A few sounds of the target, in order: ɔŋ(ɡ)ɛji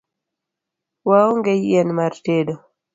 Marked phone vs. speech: correct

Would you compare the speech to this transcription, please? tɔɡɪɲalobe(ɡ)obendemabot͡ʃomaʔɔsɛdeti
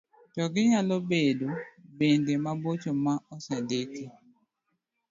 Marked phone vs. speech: incorrect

